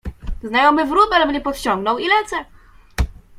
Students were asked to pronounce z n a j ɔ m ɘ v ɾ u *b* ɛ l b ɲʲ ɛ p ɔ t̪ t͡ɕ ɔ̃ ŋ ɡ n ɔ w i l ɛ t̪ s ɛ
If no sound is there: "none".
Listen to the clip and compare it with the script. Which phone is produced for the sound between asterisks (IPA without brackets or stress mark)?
b